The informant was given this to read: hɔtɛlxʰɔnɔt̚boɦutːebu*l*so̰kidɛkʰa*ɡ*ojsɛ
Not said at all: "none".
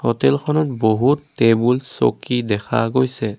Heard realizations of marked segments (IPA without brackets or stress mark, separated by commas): l, ɡ